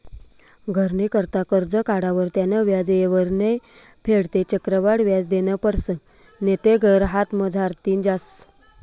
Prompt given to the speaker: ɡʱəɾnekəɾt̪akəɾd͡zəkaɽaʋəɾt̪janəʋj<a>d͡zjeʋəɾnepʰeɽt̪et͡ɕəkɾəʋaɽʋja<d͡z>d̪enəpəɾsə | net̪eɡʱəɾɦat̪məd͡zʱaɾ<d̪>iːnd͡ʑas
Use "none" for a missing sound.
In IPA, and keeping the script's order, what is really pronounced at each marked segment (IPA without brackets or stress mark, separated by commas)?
a, d͡z, t̪